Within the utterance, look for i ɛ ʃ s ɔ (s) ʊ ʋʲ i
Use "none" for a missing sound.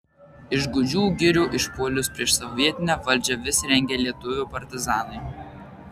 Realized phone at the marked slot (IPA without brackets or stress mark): none